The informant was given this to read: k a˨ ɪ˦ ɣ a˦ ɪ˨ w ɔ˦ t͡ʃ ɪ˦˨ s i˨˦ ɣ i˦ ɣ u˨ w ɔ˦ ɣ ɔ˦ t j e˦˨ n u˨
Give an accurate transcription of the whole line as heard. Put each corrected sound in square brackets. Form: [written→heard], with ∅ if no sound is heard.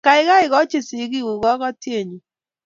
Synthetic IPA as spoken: k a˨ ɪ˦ ɣ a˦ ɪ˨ [w→ɣ] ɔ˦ t͡ʃ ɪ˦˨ s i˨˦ ɣ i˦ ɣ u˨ [w→ɣ] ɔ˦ ɣ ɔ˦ t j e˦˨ [n→ɲ] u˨